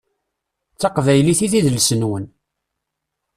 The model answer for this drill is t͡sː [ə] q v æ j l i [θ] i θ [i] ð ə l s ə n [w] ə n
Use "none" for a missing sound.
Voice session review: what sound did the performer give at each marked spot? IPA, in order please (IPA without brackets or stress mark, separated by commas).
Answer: ɑ, θ, i, w